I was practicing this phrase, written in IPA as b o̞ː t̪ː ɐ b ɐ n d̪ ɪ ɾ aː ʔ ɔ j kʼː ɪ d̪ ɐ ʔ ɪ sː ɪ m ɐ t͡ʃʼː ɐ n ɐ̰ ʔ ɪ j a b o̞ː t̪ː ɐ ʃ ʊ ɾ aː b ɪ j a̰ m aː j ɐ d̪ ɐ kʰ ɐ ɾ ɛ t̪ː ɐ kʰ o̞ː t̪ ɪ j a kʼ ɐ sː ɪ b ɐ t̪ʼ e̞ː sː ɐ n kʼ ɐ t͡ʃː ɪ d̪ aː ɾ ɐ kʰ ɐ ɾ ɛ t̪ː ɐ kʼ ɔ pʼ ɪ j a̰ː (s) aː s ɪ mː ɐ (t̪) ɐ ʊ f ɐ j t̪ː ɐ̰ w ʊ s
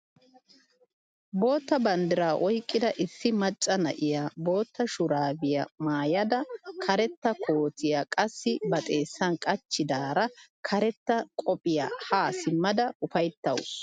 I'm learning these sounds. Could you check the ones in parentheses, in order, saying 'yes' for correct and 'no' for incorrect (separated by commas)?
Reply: no, no